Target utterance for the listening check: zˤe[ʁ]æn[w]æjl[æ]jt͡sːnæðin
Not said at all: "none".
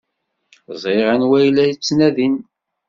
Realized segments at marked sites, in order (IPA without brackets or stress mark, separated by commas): ʁ, w, æ